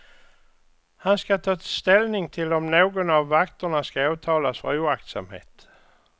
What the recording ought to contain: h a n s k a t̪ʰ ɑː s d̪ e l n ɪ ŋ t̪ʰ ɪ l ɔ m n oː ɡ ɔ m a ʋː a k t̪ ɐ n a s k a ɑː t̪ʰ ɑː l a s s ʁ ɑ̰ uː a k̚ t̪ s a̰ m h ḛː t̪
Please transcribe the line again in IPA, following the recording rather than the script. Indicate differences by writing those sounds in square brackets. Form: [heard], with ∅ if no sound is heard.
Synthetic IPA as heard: h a n s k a t̪ʰ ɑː s [t̪] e l n ɪ ŋ t̪ʰ ɪ l ɔ m n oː ɡ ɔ [n] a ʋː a k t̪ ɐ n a s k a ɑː t̪ʰ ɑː l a s [f] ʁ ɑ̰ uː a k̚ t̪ s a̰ m h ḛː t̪